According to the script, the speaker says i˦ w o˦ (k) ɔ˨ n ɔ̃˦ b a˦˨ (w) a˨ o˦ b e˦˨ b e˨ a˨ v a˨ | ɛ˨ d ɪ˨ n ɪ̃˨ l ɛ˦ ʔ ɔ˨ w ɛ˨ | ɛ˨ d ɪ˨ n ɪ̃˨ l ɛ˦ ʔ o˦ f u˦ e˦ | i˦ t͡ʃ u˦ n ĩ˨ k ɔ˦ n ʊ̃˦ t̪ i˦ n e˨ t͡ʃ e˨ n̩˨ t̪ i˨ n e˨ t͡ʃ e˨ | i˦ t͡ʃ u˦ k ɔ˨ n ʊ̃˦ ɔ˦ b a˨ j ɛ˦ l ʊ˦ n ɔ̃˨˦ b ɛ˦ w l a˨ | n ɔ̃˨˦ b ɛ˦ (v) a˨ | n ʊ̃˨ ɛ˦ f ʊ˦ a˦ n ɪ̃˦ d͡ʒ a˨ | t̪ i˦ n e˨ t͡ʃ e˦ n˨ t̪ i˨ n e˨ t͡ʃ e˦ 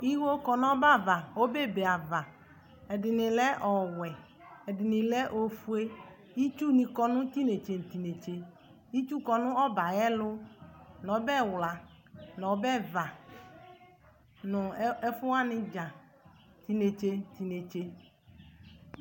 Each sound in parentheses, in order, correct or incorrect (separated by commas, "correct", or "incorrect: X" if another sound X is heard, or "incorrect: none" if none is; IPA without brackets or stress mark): correct, incorrect: v, correct